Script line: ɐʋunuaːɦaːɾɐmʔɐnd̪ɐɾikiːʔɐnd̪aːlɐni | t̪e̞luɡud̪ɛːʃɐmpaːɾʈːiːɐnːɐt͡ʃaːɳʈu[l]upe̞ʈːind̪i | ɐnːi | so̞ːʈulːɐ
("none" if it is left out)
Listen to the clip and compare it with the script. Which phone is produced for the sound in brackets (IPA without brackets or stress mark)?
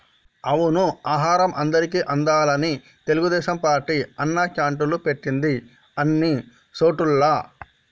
l